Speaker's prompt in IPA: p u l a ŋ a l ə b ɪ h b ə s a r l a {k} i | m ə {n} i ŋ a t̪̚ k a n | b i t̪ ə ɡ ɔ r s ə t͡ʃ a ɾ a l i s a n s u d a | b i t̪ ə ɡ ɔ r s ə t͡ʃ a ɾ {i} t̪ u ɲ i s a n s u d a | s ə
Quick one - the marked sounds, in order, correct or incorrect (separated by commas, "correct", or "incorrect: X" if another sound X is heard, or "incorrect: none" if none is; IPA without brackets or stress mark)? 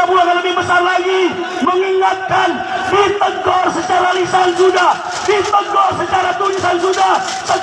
incorrect: ɡ, incorrect: ŋ, incorrect: a